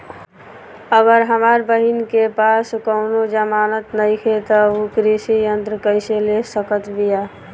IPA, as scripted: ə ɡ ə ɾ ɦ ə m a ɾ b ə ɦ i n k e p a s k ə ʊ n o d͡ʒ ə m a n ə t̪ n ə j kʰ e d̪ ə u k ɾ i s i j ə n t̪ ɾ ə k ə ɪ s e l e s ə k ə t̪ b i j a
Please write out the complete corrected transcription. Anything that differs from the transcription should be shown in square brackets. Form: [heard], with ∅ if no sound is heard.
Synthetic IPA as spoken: ə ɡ ə ɾ ɦ ə m a ɾ b ə ɦ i n k e p a s k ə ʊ n o d͡ʒ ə m a n ə t̪ n ə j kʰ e [t̪] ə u k ɾ i s i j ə n t̪ ɾ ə k ə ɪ s e l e s ə k ə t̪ b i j a